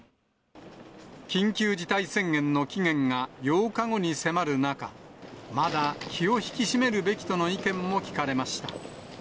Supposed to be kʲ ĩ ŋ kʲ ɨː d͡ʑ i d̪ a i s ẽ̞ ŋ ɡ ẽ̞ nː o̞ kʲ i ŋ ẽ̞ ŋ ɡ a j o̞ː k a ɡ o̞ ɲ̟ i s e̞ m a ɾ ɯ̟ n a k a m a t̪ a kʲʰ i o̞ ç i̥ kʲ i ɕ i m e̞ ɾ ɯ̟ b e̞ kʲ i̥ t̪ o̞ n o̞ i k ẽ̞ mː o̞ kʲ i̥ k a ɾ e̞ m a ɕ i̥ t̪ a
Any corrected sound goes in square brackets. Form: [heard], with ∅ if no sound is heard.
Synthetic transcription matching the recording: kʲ ĩ ŋ kʲ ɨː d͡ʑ i [t̪] a i s ẽ̞ ŋ ɡ ẽ̞ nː o̞ kʲ i ŋ ẽ̞ ŋ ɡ a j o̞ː k a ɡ o̞ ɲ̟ i s e̞ m a ɾ ɯ̟ n a k a m a [d̪] a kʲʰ i o̞ ç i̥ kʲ i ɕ i m e̞ ɾ ɯ̟ b e̞ kʲ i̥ t̪ o̞ n o̞ i k ẽ̞ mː o̞ kʲ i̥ k a ɾ e̞ m a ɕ i̥ t̪ a